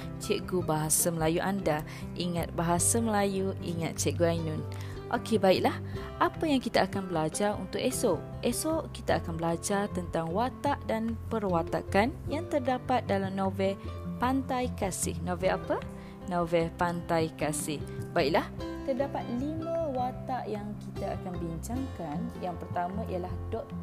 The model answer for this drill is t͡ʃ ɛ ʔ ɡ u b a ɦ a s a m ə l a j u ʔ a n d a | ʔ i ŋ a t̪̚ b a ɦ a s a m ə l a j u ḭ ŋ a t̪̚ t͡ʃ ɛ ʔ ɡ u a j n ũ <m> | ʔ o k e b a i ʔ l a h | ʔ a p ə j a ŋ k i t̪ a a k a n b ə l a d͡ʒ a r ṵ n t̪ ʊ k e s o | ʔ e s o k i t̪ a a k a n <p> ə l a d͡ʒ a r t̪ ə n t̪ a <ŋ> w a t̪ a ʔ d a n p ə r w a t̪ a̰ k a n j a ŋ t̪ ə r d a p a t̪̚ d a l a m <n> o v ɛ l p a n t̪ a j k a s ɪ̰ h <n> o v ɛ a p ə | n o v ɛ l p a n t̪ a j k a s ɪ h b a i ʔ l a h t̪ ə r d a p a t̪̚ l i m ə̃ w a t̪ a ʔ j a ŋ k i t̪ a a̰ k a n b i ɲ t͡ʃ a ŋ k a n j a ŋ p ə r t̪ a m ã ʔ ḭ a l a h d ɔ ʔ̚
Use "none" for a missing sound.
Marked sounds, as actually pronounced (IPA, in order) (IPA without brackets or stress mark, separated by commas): n, b, ŋ, n, n